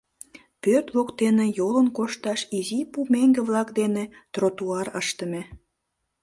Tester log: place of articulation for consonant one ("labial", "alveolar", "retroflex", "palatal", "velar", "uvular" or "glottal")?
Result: labial